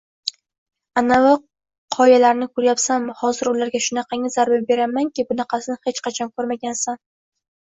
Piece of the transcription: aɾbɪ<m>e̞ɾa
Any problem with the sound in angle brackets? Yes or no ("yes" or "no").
yes